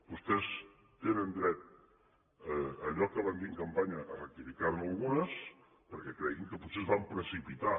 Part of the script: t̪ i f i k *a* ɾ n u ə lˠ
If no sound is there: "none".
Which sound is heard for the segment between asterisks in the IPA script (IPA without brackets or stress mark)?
a